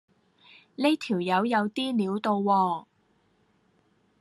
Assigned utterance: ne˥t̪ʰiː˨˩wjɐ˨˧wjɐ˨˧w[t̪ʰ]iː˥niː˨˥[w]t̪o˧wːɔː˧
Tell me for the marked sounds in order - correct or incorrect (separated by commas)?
incorrect, correct